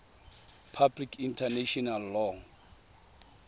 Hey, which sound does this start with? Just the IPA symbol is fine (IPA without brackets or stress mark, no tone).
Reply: pʰ